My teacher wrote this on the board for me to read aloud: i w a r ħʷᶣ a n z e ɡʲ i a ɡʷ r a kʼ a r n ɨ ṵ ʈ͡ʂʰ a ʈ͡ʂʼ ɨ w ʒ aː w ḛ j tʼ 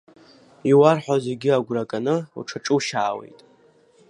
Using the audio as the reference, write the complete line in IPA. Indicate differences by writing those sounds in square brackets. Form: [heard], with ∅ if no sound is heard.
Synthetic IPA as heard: i w a r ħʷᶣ a [∅] z e ɡʲ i a ɡʷ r a kʼ a [∅] n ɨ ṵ ʈ͡ʂʰ a ʈ͡ʂʼ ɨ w [ʃ] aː w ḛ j tʼ

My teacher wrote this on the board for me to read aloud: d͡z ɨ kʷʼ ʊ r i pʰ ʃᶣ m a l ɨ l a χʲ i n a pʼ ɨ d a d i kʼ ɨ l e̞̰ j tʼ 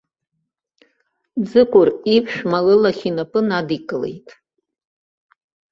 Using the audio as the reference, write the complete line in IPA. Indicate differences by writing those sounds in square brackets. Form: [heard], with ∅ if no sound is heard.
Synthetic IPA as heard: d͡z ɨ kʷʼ ʊ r i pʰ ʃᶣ m a l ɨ l a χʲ i n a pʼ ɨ [n] a d i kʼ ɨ l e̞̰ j tʼ

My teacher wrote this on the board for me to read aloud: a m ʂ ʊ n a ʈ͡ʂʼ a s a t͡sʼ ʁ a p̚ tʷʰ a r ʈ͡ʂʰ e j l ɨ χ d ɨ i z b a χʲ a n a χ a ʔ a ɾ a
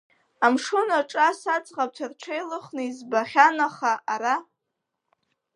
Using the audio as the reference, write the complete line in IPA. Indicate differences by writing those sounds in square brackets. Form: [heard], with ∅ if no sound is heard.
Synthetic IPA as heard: a m ʂ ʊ n a ʈ͡ʂʼ a s a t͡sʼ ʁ a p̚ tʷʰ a r ʈ͡ʂʰ e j l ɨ χ [n] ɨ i z b a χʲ a n a χ a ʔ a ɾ a

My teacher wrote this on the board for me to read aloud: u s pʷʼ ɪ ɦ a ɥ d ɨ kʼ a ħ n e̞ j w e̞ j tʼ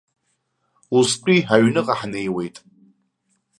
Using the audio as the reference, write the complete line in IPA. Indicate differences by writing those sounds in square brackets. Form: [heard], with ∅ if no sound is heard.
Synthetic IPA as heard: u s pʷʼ [i] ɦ a ɥ [n] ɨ [qʼ] a ħ n e̞ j w e̞ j tʼ

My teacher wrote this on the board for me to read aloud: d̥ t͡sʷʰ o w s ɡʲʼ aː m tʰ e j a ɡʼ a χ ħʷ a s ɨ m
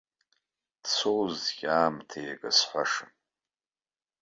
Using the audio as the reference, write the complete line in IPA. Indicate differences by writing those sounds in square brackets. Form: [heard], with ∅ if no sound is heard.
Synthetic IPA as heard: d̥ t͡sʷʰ o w [z] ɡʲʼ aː m tʰ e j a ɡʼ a [s] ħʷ a [ʂ] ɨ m

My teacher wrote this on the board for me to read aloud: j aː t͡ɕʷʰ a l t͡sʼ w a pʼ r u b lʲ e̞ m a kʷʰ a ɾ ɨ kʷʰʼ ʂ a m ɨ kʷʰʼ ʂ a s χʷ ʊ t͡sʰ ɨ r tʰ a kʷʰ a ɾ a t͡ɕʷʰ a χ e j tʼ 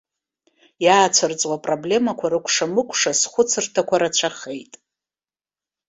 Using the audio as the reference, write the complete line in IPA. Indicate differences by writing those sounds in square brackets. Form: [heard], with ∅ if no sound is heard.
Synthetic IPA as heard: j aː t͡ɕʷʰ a [r] t͡sʼ w a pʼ r [o] b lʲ e̞ m a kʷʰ a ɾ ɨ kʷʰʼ ʂ a m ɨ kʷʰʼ ʂ a s χʷ ʊ t͡sʰ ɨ r tʰ a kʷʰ a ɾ a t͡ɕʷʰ a χ e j tʼ

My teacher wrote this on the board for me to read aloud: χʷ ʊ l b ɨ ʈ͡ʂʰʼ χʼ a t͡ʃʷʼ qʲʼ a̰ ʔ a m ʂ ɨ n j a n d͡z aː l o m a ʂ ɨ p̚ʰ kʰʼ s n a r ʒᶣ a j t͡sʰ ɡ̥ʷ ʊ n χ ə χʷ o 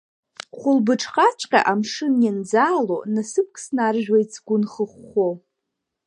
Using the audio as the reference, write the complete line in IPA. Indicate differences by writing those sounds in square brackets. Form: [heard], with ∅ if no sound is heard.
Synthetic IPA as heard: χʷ ʊ l b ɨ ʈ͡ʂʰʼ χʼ a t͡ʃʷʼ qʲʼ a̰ ʔ a m ʂ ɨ n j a n d͡z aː l o [n] a [s] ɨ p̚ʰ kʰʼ s n a r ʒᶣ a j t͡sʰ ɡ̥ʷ ʊ n χ ə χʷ o

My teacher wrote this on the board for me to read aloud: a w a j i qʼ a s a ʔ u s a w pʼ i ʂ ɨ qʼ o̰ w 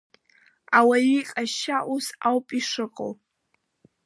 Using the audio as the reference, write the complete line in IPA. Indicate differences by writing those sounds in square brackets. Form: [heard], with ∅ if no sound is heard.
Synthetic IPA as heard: a w a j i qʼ a [ʃ] a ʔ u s a w pʼ i ʂ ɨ qʼ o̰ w

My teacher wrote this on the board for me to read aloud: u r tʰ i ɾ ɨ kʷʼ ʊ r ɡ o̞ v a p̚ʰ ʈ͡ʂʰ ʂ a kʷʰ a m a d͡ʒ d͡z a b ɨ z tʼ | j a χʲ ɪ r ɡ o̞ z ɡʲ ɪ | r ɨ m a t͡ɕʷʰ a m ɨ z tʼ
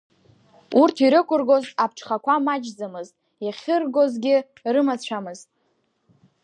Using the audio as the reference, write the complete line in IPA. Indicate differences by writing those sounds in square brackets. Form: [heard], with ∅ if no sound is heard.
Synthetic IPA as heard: u r tʰ i ɾ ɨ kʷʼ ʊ r ɡ o̞ [z] a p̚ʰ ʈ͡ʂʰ [χ] a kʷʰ a m a d͡ʒ d͡z a [m] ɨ z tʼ | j a χʲ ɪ r ɡ o̞ z ɡʲ ɪ | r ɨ m a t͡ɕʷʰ a m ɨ z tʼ

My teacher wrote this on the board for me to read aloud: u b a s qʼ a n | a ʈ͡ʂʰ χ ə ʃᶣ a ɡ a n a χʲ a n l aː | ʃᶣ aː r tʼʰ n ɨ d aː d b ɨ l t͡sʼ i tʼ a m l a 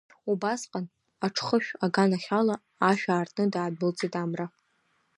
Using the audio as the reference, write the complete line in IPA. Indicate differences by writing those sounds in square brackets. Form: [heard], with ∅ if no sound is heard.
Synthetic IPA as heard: u b a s qʼ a n | a ʈ͡ʂʰ χ ə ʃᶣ a ɡ a n a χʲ a [∅] l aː | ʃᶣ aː r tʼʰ n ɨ d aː d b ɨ l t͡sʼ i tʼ a m [r] a

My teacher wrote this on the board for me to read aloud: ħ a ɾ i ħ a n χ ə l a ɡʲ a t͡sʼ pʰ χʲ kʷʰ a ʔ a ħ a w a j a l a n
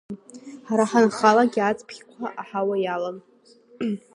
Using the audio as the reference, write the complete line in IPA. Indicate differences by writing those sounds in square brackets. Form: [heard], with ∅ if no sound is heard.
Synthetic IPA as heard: ħ a ɾ [a] ħ a n χ [a] l a ɡʲ a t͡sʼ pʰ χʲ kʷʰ a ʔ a ħ a w a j a l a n

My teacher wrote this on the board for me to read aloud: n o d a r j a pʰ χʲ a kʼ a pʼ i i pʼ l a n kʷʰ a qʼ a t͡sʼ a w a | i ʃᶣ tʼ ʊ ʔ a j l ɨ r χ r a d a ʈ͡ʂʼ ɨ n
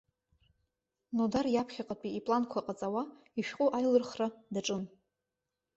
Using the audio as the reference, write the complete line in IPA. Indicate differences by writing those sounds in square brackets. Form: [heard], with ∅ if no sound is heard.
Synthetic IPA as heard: n o d a r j a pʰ χʲ a [qʼ] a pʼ i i pʼ l a n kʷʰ a qʼ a t͡sʼ a w a | i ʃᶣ [qʼ] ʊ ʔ a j l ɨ r χ r a d a ʈ͡ʂʼ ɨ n

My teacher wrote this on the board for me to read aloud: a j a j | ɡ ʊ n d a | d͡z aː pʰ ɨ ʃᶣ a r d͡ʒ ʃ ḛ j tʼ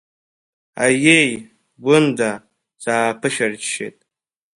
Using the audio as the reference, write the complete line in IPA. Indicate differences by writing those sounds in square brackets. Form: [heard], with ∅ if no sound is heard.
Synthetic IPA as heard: a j [e] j | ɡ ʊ n d a | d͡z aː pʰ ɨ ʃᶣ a r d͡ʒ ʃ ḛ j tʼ

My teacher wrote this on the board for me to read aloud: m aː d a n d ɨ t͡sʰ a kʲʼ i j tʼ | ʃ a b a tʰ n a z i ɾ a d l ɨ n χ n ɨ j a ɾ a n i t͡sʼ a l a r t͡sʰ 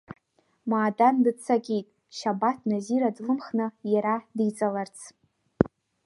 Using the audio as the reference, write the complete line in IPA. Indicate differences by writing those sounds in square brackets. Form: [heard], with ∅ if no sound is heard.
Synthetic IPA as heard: m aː d a n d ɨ t͡sʰ a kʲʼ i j tʼ | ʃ a b a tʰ n a z i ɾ a d l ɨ [m] χ n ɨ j a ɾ a [d] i t͡sʼ a l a r t͡sʰ

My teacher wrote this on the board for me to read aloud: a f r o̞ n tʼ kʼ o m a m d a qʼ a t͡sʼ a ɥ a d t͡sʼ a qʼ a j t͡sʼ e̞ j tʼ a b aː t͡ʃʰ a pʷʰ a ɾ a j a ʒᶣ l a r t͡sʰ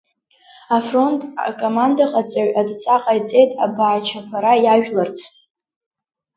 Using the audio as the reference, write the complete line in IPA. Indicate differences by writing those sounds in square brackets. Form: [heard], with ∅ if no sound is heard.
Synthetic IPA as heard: a f r o̞ n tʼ kʼ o m a [n] d a qʼ a t͡sʼ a ɥ a d t͡sʼ a qʼ a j t͡sʼ e̞ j tʼ a b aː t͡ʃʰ a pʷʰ a ɾ a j a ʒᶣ l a r t͡sʰ

